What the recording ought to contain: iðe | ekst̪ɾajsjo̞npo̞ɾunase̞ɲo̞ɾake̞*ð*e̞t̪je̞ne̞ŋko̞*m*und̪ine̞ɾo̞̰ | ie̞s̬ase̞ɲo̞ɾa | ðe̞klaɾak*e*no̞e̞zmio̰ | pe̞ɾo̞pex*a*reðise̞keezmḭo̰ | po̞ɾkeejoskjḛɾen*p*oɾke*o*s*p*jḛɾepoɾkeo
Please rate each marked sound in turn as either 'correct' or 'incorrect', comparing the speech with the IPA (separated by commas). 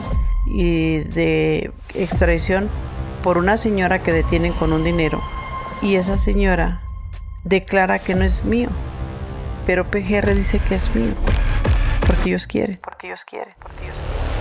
correct, incorrect, correct, incorrect, correct, correct, incorrect